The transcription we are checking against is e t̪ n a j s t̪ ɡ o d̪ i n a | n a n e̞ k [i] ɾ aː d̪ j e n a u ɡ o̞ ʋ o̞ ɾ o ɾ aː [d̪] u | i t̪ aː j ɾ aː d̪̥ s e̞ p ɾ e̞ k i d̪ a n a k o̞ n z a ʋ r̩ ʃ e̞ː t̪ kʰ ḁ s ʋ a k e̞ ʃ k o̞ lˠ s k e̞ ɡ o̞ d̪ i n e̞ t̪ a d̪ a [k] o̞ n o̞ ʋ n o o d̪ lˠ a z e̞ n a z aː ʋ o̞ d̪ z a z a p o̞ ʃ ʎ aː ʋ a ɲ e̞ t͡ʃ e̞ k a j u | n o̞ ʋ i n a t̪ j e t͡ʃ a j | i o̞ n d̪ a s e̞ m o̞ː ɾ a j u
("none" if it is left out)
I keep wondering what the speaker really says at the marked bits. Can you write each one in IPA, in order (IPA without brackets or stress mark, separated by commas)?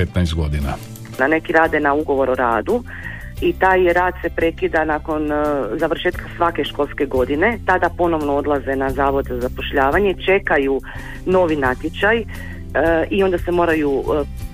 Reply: i, d̪, p